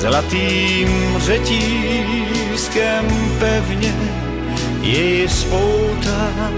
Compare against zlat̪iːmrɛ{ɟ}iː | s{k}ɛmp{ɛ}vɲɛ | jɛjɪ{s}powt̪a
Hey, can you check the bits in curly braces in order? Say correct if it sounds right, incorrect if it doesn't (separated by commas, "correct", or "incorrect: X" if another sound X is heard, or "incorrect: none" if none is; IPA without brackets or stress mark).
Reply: incorrect: c, correct, correct, correct